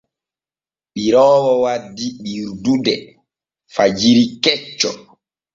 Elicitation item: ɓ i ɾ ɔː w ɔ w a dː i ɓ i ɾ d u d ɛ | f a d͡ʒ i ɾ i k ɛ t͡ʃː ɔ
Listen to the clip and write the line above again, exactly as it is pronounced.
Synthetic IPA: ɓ i ɾ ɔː w ɔ w a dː i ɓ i ɾ d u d ɛ | f a d͡ʒ i ɾ i k ɛ t͡ʃː ɔ